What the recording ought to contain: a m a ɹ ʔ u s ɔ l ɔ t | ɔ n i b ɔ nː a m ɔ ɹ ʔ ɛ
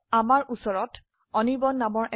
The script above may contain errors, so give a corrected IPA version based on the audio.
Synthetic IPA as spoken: a m a ɹ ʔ u s ɔ ɹ ɔ t | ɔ n i b ɔ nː a m ɔ ɹ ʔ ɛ

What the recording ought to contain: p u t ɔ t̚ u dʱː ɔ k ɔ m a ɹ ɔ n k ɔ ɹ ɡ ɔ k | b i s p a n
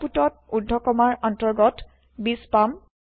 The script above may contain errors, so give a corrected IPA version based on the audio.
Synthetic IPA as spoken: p u t ɔ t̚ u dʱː ɔ k ɔ m a ɹ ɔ n t ɔ ɹ ɡ ɔ t | b i s p a m

